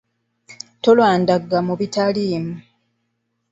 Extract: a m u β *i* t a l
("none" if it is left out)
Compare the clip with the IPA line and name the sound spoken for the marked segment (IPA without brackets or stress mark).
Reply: i